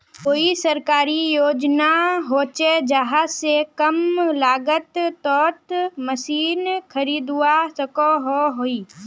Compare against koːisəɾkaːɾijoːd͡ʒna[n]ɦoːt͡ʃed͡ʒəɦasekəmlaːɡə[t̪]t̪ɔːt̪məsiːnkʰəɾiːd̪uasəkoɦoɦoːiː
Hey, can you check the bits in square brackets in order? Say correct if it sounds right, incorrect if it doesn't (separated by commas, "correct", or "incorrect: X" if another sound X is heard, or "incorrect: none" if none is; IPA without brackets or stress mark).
incorrect: none, correct